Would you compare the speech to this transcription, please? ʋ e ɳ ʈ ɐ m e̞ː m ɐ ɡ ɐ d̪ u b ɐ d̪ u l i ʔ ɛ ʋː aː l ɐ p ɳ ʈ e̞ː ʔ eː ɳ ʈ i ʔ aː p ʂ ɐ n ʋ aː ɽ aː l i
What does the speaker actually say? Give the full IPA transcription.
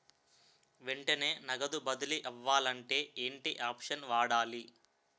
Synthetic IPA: ʋ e ɳ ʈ ɐ n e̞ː n ɐ ɡ ɐ d̪ u b ɐ d̪ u l i ʔ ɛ ʋː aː l ɐ ɳ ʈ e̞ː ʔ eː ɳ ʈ i ʔ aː p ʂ ɐ n ʋ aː ɽ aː l i